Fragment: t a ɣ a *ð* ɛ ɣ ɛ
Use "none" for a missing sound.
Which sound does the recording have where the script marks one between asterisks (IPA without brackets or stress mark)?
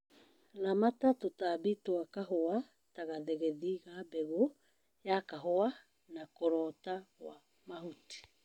ð